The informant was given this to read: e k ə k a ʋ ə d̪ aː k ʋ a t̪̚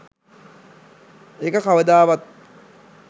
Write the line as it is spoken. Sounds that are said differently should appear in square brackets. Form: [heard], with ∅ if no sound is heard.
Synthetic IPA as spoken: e k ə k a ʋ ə d̪ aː [∅] ʋ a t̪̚